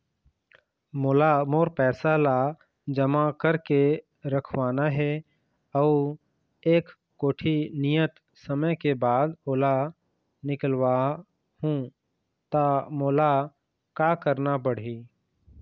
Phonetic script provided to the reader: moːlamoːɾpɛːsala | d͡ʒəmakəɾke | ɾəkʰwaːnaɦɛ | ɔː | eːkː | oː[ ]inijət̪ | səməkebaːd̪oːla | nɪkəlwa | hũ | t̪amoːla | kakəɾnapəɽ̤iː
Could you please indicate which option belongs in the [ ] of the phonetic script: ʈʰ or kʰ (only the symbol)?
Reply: ʈʰ